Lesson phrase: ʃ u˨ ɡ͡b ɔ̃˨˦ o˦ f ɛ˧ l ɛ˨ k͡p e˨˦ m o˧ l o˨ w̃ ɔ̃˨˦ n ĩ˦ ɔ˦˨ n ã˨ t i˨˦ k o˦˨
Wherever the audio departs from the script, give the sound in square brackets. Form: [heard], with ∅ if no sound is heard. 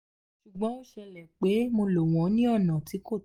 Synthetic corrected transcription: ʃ u˨ ɡ͡b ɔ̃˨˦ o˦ [ʃ] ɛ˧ l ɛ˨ k͡p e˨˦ m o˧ l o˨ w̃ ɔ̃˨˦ n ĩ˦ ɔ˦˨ n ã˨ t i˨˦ k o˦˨